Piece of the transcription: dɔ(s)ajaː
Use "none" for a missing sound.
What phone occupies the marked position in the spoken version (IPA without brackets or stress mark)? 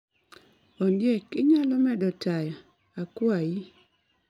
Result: t